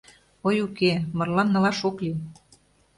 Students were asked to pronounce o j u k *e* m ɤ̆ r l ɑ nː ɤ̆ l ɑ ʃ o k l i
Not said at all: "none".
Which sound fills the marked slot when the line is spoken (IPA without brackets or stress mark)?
e